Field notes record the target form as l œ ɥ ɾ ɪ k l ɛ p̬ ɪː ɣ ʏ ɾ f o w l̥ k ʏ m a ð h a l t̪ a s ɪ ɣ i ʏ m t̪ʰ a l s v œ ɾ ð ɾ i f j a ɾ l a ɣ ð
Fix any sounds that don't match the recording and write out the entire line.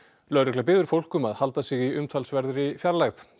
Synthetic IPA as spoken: l œ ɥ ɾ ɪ k l a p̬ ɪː ð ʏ ɾ f o w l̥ k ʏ m a ð h a l t̪ a s ɪ ɣ i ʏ m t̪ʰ a l s v ɛ ɾ ð ɾ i f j a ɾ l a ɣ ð